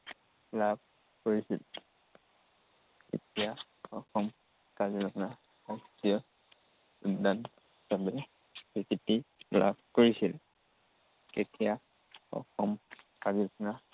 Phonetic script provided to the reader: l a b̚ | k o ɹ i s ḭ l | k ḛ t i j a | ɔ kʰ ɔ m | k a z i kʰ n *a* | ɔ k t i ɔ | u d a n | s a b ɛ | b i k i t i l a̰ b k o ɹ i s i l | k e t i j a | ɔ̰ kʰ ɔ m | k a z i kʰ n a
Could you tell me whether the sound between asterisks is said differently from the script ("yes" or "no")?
no